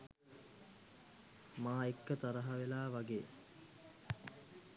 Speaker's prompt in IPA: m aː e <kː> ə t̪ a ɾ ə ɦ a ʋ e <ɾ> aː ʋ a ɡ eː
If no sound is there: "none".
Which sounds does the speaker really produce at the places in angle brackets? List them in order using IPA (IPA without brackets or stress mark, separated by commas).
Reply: kː, l